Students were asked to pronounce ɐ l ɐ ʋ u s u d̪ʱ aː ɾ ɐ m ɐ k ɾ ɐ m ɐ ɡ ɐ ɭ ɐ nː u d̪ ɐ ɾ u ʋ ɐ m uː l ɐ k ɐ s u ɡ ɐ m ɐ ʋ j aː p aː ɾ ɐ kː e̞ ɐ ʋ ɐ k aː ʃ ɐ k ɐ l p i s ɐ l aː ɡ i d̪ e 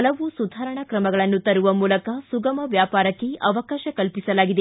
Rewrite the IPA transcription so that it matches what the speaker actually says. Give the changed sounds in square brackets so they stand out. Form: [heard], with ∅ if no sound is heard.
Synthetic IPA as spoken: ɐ l ɐ ʋ u s u d̪ʱ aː ɾ ɐ [ɳ] ɐ k ɾ ɐ m ɐ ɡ ɐ ɭ ɐ nː u [t̪] ɐ ɾ u ʋ ɐ m uː l ɐ k ɐ s u ɡ ɐ m ɐ ʋ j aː p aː ɾ ɐ kː e̞ ɐ ʋ ɐ k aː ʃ ɐ k ɐ l p i s ɐ l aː ɡ i d̪ e